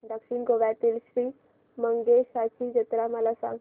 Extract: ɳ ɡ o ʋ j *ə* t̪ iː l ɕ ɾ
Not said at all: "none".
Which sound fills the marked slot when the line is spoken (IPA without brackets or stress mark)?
a